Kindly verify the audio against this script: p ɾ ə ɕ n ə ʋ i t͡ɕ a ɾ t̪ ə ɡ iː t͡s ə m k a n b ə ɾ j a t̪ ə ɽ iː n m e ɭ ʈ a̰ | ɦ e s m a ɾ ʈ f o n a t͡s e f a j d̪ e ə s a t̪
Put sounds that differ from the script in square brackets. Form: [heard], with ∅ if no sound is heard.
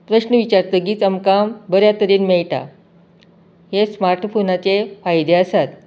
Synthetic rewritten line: p ɾ ə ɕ n ə ʋ i t͡ɕ a ɾ t̪ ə ɡ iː t͡s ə m k a [m] b ə ɾ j a t̪ ə [ɾ] iː n m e ɭ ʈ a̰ | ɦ e s m a ɾ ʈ f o n a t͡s e f a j d̪ e ə s a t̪

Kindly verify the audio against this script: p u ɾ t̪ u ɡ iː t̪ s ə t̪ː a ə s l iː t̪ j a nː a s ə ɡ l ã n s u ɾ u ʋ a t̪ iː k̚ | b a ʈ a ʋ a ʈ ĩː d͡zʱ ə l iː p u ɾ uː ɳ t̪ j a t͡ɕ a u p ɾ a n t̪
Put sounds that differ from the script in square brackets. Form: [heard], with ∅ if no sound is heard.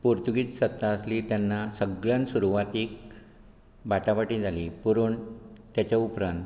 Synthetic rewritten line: p u ɾ t̪ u ɡ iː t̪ s ə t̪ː a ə s l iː t̪ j a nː a s ə ɡ [ɭ] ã n s u ɾ u ʋ a t̪ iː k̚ | b a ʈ a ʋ a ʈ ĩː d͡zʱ [a] l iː p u ɾ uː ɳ t̪ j a t͡ɕ a u p ɾ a n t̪

